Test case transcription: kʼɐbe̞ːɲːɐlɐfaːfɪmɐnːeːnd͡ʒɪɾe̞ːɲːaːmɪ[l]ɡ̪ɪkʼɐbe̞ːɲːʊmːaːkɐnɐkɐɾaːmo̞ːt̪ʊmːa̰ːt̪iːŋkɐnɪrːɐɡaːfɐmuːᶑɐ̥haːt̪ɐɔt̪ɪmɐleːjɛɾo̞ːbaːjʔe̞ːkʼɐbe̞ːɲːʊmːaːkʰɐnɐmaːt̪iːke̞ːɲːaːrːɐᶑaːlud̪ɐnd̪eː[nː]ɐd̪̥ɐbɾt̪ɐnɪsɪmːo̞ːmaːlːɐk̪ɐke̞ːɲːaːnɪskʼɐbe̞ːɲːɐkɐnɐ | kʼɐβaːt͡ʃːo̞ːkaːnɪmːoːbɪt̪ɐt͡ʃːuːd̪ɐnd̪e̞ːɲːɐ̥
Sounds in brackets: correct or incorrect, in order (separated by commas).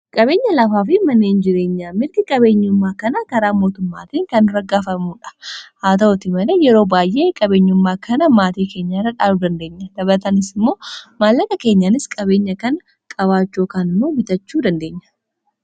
incorrect, incorrect